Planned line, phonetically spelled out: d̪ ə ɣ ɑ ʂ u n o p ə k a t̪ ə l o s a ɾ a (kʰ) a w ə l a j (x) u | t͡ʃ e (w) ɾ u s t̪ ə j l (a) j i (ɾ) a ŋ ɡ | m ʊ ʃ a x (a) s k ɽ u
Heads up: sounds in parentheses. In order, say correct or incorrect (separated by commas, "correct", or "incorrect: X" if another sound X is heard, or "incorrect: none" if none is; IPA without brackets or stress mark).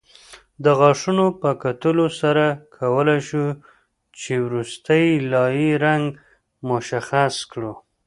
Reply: correct, incorrect: ʃ, correct, incorrect: ɑ, correct, correct